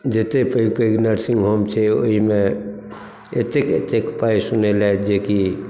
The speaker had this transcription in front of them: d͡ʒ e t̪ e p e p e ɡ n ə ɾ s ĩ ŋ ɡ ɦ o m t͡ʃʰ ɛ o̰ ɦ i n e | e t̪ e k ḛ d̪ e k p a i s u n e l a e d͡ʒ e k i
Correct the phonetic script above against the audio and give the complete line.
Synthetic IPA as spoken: d͡ʒ e t̪ e p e p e ɡ n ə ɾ s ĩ ŋ ɡ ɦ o m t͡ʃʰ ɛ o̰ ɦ i m e | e t̪ e k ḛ t̪ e k p a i s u n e l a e d͡ʒ e k i